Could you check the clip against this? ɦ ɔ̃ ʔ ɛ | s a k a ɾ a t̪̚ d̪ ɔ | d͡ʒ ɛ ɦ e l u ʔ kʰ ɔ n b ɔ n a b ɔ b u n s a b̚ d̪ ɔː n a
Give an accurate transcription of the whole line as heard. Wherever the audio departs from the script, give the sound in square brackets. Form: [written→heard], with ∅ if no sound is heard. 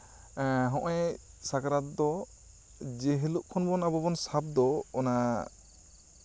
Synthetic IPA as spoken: ɦ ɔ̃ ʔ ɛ | s a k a ɾ a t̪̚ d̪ ɔ | d͡ʒ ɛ ɦ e l u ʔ kʰ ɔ n b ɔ n a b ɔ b [u→ɔ] n s a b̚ d̪ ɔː n a